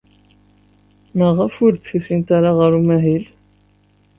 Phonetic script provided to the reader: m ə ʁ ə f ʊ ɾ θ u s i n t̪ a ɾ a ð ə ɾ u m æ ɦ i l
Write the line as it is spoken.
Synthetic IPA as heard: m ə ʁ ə f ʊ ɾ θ u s i n t̪ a ɾ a ʁ ə ɾ u m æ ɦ i l